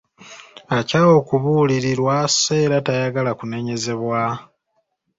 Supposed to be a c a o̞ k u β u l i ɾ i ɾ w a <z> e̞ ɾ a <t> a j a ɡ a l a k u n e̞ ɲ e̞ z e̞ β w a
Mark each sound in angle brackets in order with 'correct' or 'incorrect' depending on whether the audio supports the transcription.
incorrect: s, correct

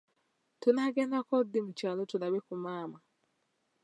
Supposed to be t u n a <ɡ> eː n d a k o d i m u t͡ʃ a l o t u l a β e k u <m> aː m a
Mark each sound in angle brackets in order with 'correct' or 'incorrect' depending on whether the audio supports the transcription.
correct, correct

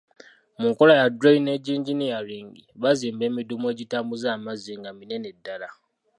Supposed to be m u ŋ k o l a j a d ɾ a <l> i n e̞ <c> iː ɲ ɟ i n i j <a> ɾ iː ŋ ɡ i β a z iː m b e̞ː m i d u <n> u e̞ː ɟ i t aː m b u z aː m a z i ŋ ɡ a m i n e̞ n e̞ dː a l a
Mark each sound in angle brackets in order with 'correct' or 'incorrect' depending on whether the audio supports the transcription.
incorrect: none, incorrect: ɟ, correct, incorrect: m

